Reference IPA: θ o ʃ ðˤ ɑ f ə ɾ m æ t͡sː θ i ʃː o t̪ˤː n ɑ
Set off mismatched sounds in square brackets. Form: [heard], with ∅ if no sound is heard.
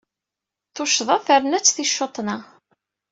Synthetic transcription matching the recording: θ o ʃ ðˤ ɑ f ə ɾ [n] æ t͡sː θ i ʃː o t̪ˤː n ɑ